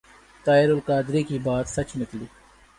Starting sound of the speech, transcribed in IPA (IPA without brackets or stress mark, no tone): t̪